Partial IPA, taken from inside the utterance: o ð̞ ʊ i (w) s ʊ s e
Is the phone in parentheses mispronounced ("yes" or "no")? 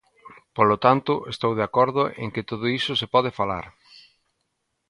yes